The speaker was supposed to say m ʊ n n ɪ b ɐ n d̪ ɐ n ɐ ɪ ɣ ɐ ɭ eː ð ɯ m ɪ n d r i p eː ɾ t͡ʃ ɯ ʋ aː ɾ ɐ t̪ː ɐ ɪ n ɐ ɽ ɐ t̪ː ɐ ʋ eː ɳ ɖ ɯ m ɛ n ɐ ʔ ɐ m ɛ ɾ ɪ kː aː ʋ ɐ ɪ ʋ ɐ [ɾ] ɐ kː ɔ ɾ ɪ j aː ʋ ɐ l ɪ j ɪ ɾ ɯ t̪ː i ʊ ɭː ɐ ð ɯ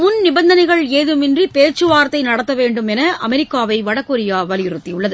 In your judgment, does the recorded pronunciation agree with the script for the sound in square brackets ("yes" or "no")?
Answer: no